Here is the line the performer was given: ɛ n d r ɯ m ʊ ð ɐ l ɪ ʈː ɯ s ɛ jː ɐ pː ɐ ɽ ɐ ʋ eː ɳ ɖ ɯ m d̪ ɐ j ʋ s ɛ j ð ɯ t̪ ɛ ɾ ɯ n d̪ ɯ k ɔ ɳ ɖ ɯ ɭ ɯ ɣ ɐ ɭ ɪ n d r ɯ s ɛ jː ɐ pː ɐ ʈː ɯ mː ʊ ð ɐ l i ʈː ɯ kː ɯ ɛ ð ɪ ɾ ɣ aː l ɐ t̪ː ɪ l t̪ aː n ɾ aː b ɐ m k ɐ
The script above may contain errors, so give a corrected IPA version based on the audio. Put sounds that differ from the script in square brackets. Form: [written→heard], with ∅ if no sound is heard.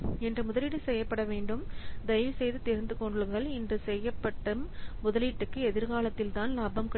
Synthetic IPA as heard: ɛ n d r ɯ m ʊ ð ɐ l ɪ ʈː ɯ s ɛ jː ɐ pː ɐ ɽ ɐ ʋ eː ɳ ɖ ɯ m d̪ ɐ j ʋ s ɛ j ð ɯ t̪ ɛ ɾ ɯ n d̪ ɯ k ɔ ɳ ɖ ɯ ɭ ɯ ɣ ɐ ɭ ɪ n d r ɯ s ɛ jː ɐ pː ɐ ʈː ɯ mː ʊ ð ɐ l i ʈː ɯ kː ɯ ɛ ð ɪ ɾ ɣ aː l ɐ t̪ː ɪ l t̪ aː n [ɾ→l] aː b ɐ m k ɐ